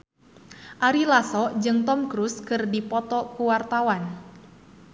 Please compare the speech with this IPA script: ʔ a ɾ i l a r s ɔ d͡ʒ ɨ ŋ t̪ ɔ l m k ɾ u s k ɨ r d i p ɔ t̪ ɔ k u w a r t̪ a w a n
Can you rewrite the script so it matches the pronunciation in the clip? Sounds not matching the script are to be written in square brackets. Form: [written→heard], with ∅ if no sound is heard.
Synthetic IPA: ʔ a ɾ i l a [r→∅] s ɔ d͡ʒ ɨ ŋ t̪ ɔ [l→∅] m k ɾ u s k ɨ r d i p ɔ t̪ ɔ k u w a r t̪ a w a n